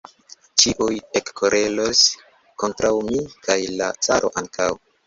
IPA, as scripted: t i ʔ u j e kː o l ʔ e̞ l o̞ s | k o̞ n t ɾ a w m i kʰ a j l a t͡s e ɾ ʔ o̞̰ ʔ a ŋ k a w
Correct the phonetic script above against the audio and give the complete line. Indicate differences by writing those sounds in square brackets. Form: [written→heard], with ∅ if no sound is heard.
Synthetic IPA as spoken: [t→t͡ʃ] i ʔ u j e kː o [l→ɾ] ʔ e̞ l o̞ s | k o̞ n t ɾ a w m i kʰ a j l a t͡s [e→a] ɾ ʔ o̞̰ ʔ a ŋ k a w